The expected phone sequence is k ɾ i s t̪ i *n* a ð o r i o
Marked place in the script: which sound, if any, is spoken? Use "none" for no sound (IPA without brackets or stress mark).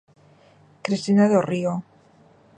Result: n